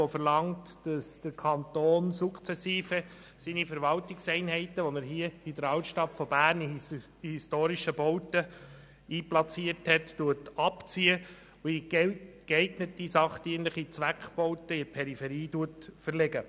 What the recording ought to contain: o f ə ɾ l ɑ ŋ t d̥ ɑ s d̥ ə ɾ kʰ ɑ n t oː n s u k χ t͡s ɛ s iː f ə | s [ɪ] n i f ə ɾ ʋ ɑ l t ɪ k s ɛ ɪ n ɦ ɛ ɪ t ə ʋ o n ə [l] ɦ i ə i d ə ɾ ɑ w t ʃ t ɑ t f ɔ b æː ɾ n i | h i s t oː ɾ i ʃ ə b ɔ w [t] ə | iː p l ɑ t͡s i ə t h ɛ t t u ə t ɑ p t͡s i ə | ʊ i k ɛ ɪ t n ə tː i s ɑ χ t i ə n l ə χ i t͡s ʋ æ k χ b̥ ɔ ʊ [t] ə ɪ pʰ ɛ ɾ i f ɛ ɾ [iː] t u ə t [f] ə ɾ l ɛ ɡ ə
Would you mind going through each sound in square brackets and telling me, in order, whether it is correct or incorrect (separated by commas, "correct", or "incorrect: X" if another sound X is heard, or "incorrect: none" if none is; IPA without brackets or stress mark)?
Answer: incorrect: i, incorrect: ɾ, correct, correct, correct, correct